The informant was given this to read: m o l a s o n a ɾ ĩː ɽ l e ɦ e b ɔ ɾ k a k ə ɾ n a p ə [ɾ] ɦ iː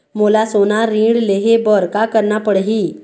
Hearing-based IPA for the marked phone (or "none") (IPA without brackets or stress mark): ɽ